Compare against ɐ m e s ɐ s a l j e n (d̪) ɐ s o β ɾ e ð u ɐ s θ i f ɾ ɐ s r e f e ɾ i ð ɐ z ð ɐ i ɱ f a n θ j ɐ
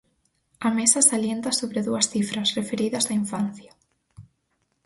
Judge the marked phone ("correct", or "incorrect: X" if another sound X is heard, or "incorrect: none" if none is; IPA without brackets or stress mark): incorrect: t̪